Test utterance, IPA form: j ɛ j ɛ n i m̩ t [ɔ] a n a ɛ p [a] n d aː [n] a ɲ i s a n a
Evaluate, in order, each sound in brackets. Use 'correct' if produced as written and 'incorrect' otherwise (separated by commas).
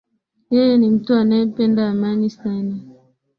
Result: incorrect, incorrect, incorrect